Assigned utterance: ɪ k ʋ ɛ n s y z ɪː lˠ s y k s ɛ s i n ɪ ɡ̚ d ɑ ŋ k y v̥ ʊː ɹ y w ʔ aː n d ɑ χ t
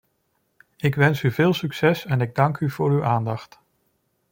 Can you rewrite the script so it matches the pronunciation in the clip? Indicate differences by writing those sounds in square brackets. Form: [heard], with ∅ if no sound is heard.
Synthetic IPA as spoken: ɪ k ʋ ɛ n s y [v] ɪː lˠ s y k s ɛ s [ɛ] n ɪ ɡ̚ d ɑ ŋ k y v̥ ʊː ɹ y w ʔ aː n d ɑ χ t